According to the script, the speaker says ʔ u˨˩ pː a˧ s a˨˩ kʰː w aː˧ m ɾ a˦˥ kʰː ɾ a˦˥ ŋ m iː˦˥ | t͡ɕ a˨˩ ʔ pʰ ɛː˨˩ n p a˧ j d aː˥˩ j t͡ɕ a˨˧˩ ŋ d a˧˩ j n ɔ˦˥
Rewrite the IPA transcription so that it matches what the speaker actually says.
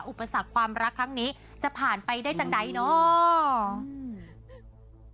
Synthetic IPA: ʔ u˨˩ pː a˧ s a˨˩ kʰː w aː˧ m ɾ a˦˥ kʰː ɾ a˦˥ ŋ n iː˦˥ | t͡ɕ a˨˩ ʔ pʰ aː˨˩ n p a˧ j d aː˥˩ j t͡ɕ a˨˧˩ ŋ d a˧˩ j n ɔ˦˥